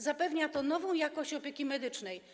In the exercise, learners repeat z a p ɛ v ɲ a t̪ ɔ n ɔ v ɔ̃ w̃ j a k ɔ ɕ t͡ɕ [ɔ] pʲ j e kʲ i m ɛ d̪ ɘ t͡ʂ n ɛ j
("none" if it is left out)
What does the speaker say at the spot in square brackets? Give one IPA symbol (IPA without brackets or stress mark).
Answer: ɔ